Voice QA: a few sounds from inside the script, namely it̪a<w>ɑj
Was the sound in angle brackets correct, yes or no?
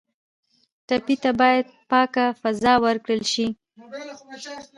no